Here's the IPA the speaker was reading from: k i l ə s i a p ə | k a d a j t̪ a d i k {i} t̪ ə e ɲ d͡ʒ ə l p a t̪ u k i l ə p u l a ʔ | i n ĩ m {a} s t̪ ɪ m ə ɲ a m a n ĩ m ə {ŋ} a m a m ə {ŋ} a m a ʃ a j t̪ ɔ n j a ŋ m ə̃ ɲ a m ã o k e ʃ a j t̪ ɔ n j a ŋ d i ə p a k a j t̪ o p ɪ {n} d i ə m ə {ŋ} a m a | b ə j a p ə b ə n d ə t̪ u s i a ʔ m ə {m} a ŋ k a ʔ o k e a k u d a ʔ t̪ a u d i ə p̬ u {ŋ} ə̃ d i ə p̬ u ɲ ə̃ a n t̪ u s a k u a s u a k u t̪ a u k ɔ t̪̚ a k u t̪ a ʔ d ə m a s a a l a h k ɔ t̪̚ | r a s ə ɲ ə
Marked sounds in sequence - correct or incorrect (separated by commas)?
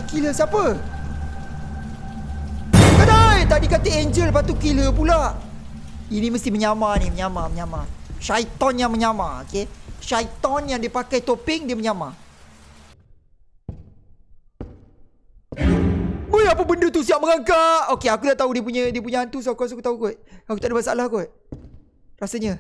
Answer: incorrect, incorrect, incorrect, incorrect, incorrect, incorrect, incorrect, incorrect